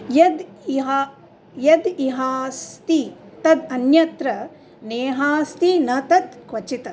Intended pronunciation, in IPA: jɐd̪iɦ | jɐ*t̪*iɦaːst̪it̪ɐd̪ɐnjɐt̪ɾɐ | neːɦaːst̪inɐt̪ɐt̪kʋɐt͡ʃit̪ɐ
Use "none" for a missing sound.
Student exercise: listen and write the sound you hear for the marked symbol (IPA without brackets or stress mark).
d̪